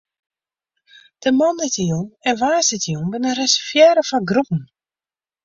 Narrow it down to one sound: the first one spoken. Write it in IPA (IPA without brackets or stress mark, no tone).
d̥